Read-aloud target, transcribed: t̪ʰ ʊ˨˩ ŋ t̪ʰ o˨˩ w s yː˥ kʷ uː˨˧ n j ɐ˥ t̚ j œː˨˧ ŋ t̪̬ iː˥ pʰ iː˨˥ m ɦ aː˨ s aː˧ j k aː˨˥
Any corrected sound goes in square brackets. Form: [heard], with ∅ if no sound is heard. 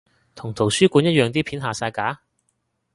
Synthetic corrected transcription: t̪ʰ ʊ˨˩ ŋ t̪ʰ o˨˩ w s yː˥ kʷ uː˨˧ n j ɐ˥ t̚ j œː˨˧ ŋ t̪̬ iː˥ pʰ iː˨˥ [n] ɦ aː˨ s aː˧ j k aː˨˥